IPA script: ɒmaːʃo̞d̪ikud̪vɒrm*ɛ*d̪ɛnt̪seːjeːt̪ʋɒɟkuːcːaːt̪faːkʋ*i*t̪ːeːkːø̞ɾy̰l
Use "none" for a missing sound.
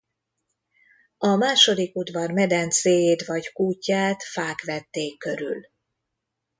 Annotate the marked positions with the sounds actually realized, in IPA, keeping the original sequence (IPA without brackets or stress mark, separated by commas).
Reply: ɛ, ɛ